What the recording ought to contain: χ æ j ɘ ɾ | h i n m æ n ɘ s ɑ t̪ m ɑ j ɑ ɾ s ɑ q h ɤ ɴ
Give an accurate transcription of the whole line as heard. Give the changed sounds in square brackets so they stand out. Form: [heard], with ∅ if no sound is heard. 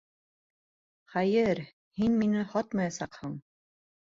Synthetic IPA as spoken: χ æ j ɘ ɾ | h i n m [i] n ɘ [h] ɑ t̪ m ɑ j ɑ [∅] s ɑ q h ɤ ɴ